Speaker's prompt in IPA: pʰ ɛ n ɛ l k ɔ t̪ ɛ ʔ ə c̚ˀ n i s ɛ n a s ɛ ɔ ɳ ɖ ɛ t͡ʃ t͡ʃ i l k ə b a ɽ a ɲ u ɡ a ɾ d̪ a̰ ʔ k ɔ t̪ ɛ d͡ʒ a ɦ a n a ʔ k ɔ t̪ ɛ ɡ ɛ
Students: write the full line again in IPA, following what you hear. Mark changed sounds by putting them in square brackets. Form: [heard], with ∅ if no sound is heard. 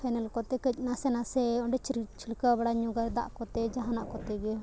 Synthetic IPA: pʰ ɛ n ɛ l k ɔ t̪ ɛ [k] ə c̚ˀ n [a] s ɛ n a s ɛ ɔ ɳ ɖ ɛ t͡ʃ t͡ʃ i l k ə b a ɽ a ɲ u ɡ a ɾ d̪ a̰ ʔ k ɔ t̪ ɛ d͡ʒ a ɦ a n a ʔ k ɔ t̪ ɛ ɡ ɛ